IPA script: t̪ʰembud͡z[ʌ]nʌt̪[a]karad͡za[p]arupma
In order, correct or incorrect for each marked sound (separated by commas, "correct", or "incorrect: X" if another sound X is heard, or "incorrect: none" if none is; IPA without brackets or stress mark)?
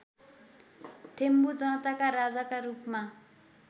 correct, correct, incorrect: k